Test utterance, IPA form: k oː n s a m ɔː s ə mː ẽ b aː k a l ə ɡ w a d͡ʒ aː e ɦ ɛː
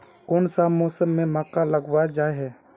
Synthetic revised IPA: k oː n s a m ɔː s ə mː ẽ m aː k a l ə ɡ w a d͡ʒ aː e ɦ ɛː

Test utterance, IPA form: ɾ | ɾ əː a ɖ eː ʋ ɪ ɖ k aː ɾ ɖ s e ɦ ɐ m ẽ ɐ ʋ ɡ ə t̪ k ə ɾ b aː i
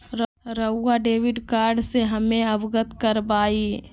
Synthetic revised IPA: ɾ | ɾ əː a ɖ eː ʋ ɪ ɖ k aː ɾ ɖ s e ɦ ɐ m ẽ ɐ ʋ ɡ ə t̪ k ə ɾ b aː i

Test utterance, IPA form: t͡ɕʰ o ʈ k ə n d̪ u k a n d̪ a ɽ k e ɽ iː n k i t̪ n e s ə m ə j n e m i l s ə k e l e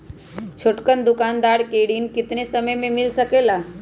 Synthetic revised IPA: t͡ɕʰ o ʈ k ə n d̪ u k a n d̪ a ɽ k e ɽ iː n k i t̪ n e s ə m ə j m e m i l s ə k e l a

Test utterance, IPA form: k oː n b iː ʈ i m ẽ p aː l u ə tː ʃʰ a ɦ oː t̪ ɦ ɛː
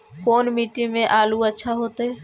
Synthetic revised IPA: k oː n m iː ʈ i m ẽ ʔ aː l u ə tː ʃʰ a ɦ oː t̪ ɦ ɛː

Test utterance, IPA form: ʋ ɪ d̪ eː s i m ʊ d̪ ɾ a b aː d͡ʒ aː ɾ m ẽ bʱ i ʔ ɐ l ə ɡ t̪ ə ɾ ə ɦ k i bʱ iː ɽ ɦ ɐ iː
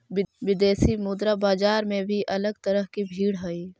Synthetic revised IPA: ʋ ɪ d̪ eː s i m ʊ d̪ ɾ a b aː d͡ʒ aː ɾ m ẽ bʱ i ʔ ɐ l ə ɡ t̪ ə ɾ ə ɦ k i bʱ iː ɽ ɦ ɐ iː

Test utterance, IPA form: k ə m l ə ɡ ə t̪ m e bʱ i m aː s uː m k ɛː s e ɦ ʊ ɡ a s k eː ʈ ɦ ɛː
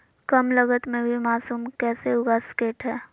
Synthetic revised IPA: k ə m l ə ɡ ə t̪ m ẽ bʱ i m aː s uː m k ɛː s e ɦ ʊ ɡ a s k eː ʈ ɦ ɛː

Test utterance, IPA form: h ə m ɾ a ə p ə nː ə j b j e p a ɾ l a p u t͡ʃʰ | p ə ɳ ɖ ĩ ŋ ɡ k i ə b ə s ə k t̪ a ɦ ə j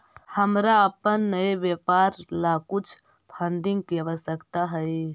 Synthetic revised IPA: h ə m ɾ a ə p ə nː ə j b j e p a ɾ l a k u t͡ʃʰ | pʰ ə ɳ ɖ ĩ ŋ ɡ k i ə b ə s ə k t̪ a ɦ ə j

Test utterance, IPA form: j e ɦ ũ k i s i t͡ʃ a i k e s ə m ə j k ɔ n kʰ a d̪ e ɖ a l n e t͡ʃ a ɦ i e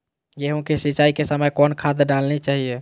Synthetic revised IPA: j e ɦ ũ k e s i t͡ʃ a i k e s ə m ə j k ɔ n kʰ a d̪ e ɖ a l n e t͡ʃ a ɦ i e

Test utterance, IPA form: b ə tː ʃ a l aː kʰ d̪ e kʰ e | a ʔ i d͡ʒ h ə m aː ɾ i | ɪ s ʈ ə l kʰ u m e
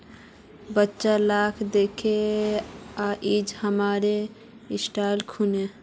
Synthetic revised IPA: b ə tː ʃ a l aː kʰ d̪ e kʰ e | a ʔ i d͡ʒ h ə m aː ɾ e | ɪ s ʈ a l kʰ u n e

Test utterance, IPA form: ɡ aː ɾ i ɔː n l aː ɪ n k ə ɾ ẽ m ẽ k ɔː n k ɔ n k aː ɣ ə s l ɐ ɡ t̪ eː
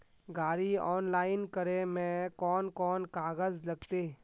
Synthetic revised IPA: ɡ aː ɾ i ɔː n l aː ɪ n k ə ɾ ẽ m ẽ k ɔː n k ɔː n k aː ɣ ə z l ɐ ɡ t̪ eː

